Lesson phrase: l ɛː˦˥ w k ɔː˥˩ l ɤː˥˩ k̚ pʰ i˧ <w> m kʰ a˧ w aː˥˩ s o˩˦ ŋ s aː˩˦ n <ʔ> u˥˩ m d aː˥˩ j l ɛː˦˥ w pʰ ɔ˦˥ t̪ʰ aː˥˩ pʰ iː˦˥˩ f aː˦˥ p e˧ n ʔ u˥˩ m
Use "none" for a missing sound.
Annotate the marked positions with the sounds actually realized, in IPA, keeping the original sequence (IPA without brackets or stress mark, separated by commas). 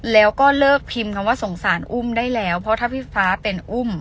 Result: none, ʔ